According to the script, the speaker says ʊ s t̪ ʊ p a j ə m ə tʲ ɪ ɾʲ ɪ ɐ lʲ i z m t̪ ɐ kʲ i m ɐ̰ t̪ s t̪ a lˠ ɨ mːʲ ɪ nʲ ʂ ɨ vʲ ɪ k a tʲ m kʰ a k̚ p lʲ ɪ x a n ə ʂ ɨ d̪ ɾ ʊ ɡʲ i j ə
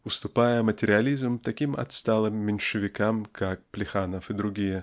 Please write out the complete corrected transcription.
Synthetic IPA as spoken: ʊ s t̪ ʊ p a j ə m ə tʲ ɪ ɾʲ ɪ ɐ lʲ i z m t̪ ɐ kʲ i m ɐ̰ t̪ s t̪ a lˠ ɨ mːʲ ɪ nʲ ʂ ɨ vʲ ɪ k a m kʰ a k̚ p lʲ ɪ x a n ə f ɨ d̪ ɾ ʊ ɡʲ i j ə